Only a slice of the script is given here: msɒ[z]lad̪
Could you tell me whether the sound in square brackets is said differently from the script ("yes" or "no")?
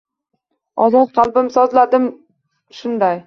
no